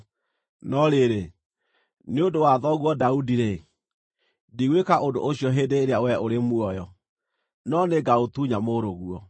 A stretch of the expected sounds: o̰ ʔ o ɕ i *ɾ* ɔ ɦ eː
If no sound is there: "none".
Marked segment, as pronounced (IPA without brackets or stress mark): none